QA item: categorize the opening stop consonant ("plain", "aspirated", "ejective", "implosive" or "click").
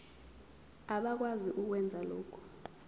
implosive